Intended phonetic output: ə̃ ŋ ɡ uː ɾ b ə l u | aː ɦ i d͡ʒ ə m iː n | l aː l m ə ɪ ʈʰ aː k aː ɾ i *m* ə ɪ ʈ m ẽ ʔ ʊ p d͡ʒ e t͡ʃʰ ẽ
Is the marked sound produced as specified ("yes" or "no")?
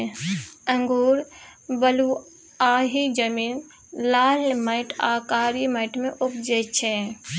yes